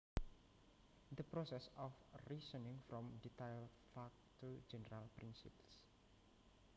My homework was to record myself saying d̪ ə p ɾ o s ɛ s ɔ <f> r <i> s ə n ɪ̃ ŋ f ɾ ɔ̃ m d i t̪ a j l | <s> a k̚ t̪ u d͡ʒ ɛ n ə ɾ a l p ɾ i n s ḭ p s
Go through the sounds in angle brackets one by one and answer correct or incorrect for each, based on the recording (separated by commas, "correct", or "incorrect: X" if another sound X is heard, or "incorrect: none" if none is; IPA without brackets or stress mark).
correct, correct, incorrect: f